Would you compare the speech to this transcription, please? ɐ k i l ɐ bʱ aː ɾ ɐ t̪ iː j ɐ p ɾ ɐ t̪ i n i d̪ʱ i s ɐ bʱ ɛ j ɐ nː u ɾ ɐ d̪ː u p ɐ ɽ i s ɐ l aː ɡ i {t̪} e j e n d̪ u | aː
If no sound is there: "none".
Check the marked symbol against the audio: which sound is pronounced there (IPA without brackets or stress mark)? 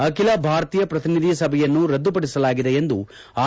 d̪